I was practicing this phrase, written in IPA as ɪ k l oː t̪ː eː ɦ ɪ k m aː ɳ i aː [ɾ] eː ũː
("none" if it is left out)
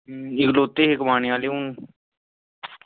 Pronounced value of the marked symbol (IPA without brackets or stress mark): l